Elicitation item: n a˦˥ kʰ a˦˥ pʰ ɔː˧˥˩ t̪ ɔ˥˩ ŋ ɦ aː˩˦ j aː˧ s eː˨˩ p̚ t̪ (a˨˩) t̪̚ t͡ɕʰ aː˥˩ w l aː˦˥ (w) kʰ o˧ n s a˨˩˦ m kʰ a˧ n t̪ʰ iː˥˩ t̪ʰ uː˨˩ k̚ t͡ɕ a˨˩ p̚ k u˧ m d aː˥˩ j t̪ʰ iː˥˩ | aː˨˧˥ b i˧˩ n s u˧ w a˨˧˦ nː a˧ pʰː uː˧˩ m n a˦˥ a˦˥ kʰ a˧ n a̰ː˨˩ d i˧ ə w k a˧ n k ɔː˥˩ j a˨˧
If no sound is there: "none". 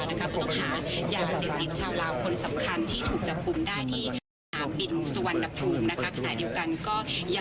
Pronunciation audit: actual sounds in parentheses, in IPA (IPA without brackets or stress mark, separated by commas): i˨˩, w